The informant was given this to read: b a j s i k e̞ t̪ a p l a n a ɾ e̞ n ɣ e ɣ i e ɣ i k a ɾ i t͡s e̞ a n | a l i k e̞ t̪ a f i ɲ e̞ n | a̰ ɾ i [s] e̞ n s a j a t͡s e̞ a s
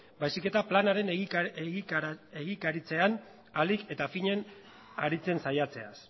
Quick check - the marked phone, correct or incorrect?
incorrect: t͡s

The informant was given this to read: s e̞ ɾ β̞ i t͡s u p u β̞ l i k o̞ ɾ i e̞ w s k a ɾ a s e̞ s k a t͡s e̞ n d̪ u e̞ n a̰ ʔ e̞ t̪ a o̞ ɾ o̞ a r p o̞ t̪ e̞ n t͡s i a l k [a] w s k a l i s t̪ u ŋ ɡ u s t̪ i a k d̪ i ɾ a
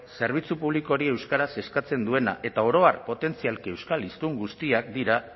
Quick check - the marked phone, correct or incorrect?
incorrect: e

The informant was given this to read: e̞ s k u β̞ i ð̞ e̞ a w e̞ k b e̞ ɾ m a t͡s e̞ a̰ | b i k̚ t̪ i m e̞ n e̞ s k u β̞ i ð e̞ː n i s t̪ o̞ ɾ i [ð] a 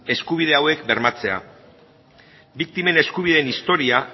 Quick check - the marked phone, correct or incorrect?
incorrect: none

